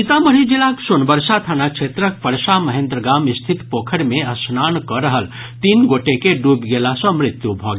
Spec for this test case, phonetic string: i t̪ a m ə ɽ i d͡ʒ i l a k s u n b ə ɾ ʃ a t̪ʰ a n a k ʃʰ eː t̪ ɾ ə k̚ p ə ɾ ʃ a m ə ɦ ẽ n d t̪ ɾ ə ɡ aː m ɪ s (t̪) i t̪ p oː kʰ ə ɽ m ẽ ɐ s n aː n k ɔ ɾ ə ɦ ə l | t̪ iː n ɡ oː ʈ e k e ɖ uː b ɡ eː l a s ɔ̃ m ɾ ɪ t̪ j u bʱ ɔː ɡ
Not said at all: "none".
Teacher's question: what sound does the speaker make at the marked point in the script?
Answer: t̪ʰ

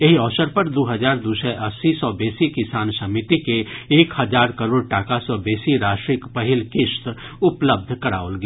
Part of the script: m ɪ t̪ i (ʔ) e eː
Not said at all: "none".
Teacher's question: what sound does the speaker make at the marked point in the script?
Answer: k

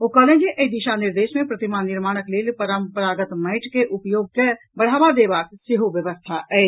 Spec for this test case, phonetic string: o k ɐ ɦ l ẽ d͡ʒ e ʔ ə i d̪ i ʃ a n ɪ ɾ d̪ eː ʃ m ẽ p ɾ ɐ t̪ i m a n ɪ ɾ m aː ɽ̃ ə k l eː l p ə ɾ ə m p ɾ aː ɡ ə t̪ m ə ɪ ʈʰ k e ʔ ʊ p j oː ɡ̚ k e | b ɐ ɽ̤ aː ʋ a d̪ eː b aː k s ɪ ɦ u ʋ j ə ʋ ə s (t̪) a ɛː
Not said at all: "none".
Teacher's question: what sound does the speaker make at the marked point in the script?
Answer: t̪ʰ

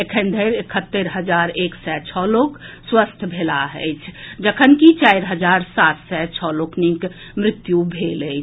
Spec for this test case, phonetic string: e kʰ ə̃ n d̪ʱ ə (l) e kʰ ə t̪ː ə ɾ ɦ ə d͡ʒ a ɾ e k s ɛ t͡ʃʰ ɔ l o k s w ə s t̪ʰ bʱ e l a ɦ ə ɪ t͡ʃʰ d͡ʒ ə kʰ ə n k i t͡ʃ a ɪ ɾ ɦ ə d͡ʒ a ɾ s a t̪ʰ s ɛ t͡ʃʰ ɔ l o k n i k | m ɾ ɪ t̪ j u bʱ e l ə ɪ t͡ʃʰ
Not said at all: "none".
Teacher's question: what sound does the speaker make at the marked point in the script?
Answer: ɾ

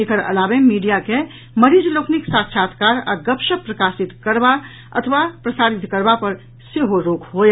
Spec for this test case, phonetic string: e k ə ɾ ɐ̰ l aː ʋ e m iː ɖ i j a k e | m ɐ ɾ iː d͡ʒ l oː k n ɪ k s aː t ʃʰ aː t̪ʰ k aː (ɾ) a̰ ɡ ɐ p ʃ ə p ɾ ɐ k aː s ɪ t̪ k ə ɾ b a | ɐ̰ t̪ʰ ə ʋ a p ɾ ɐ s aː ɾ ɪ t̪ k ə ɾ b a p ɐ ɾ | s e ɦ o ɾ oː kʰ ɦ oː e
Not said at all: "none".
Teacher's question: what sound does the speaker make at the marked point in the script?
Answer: ɾ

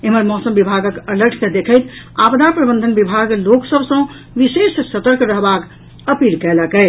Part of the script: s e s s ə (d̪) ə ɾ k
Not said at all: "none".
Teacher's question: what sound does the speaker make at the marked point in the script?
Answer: t̪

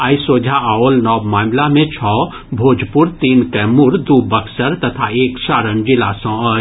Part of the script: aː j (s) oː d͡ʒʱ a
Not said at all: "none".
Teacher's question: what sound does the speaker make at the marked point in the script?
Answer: s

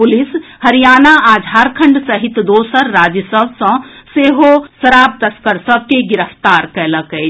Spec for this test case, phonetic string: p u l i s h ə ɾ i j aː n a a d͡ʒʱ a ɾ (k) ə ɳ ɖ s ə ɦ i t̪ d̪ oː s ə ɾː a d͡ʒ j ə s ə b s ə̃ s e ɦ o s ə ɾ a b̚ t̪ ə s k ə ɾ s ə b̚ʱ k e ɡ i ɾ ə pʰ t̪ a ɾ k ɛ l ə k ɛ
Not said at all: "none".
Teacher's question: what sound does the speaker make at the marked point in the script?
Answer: kʰ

